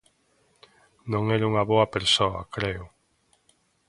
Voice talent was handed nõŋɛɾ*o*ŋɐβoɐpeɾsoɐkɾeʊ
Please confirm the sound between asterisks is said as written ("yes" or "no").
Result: no